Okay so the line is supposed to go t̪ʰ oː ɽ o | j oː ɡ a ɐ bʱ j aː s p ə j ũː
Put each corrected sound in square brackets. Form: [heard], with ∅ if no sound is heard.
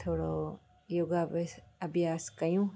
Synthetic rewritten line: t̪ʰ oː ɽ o | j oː ɡ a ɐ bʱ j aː s [k] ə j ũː